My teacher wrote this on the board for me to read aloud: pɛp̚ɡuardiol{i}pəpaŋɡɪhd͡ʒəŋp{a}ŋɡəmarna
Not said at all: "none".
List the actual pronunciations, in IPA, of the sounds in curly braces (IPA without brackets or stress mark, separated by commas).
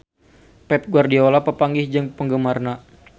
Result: a, ə